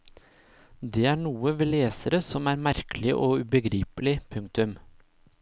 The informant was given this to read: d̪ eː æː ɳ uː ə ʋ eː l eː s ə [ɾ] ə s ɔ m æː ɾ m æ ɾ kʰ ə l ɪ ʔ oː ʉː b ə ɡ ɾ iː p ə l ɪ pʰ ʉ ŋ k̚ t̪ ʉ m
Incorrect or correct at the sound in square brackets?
correct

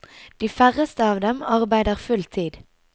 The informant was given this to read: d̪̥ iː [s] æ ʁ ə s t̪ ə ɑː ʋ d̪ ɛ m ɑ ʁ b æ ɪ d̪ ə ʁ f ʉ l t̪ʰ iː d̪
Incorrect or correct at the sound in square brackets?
incorrect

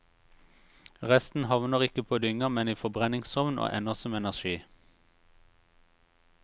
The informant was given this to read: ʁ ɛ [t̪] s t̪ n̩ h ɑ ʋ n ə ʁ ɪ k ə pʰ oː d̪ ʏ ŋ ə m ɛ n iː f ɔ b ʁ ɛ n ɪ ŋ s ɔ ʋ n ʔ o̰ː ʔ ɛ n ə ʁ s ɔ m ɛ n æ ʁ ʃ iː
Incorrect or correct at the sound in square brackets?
incorrect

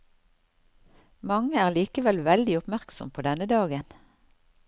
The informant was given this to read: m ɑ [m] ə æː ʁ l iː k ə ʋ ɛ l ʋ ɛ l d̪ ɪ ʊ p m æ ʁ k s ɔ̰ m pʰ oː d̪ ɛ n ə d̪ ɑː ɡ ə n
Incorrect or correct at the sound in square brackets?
incorrect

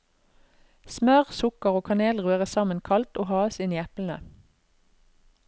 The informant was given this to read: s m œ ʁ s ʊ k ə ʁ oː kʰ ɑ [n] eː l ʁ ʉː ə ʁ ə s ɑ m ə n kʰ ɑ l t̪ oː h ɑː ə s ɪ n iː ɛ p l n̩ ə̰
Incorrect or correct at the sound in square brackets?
correct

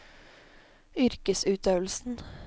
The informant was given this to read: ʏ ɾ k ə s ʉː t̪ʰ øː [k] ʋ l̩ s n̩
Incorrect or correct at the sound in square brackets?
incorrect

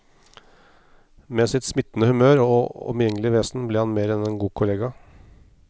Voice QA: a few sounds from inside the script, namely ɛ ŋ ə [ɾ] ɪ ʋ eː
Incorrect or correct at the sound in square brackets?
incorrect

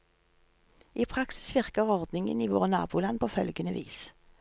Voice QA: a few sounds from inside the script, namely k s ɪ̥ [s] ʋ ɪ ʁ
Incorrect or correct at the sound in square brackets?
correct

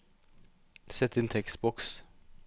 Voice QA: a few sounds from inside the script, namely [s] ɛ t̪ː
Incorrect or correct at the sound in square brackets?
correct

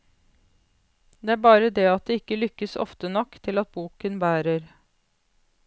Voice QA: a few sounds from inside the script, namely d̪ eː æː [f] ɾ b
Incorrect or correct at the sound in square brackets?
incorrect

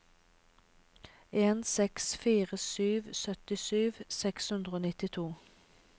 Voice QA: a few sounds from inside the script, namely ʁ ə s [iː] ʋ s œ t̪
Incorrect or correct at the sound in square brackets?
incorrect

